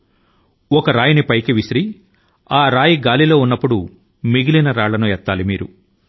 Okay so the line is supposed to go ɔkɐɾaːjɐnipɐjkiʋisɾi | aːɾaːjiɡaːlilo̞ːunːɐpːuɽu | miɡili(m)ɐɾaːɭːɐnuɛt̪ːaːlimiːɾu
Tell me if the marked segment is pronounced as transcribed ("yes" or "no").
no